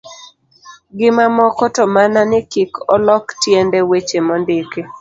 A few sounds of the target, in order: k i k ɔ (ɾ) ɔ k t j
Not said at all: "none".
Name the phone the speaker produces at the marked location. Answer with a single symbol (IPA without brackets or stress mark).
l